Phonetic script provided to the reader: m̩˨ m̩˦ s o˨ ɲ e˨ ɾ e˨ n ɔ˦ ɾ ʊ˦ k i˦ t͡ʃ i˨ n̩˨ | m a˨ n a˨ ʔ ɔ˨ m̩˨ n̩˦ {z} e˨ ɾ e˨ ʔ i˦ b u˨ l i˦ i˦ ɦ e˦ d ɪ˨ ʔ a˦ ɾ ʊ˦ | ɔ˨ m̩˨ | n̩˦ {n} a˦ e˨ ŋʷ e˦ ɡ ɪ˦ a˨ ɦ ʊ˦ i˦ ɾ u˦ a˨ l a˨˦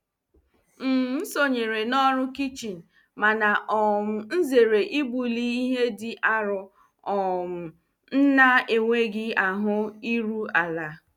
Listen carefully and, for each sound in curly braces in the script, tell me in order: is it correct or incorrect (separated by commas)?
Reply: correct, correct